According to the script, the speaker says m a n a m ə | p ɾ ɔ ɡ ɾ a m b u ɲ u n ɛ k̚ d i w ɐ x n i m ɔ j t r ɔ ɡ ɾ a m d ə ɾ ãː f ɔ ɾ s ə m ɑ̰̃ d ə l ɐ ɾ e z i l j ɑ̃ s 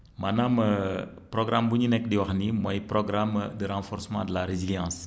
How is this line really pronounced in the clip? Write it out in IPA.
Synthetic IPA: m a n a m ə | p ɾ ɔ ɡ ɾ a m b u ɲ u n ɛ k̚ d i w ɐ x n i m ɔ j p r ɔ ɡ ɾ a m d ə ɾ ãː f ɔ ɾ s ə m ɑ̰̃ d ə l a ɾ e z i l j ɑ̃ s